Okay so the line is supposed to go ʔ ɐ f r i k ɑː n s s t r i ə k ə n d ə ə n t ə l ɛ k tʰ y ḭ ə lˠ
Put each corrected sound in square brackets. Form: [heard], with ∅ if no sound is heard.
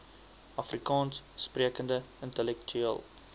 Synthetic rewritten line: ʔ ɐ f r i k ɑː n s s [p] r i ə k ə n d ə ə n t ə l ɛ k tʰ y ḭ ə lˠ